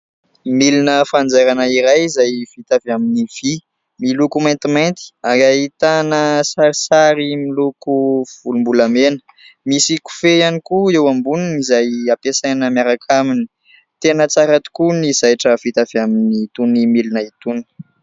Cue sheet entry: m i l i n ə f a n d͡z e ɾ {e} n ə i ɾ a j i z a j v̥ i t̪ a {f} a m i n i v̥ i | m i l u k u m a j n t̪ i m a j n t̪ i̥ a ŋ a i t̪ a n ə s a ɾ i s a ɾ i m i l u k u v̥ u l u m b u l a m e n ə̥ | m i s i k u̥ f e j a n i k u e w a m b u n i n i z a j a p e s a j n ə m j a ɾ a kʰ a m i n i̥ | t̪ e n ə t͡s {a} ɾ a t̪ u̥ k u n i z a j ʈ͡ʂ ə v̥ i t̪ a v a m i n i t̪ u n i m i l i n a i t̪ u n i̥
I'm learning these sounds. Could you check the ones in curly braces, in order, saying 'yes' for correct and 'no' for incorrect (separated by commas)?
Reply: no, no, yes